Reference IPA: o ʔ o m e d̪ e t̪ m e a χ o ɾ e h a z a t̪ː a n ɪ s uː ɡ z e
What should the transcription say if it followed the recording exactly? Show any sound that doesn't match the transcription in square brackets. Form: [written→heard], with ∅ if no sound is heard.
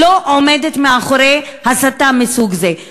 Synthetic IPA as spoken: o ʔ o m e d̪ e t̪ m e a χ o ɾ e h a [z→s] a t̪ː a [n→m] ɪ s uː ɡ z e